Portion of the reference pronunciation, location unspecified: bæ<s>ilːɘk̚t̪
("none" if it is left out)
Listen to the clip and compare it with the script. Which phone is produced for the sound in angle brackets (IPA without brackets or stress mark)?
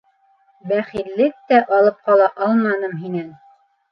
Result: χ